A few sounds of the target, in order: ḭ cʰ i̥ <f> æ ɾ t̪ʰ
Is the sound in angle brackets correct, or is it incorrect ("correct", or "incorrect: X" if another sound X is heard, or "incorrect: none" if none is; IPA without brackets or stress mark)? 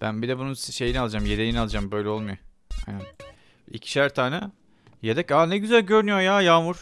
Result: incorrect: ʃ